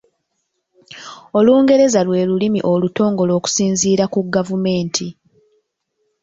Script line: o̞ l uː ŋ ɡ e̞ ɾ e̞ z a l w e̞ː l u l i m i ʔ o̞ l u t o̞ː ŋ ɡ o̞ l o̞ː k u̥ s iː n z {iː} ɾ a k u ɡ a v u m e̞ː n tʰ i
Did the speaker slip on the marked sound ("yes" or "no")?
no